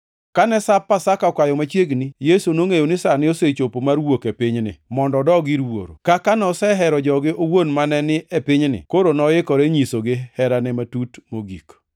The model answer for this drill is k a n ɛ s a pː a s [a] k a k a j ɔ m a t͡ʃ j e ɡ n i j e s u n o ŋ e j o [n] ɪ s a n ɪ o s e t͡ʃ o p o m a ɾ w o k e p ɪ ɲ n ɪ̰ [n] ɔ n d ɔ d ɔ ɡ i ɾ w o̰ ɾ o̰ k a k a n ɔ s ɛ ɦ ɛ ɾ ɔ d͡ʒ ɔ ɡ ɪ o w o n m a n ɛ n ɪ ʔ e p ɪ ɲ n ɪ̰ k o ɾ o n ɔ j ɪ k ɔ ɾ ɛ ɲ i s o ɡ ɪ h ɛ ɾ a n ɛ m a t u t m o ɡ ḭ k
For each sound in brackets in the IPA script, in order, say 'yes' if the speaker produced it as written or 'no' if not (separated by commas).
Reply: yes, yes, no